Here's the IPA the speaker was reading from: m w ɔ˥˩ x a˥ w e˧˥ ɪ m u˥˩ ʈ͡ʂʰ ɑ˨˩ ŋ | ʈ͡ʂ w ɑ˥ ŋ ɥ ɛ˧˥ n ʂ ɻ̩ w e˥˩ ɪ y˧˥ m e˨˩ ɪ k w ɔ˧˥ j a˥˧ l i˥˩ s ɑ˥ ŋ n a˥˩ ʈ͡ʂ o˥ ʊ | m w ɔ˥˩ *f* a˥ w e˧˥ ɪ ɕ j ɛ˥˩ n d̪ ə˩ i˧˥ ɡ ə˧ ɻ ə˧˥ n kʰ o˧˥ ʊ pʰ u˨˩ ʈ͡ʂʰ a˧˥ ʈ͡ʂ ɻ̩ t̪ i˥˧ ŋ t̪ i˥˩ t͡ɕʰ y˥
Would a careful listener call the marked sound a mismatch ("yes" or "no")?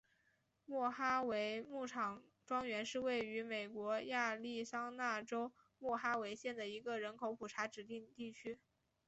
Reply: yes